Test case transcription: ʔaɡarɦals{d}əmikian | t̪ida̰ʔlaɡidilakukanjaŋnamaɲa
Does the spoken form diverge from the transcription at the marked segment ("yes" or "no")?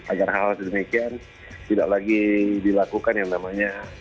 no